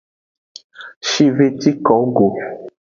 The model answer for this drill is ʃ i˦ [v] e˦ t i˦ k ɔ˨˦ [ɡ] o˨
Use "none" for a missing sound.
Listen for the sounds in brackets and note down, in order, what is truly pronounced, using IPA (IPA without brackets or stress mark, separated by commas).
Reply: v, ɡ